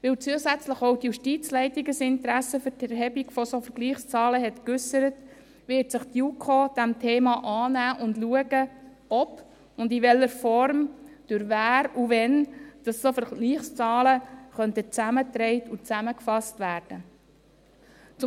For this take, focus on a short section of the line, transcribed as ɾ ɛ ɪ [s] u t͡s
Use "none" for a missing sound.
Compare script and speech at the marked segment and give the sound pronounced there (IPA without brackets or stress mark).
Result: t